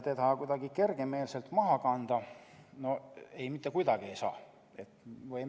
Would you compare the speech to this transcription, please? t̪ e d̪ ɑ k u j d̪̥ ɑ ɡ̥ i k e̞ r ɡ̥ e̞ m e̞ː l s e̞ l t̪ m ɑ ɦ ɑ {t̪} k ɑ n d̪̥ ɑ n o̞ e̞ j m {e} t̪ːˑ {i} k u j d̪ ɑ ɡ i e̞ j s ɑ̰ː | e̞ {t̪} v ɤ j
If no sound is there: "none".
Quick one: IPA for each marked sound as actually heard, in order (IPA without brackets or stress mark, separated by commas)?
none, i, e, t̪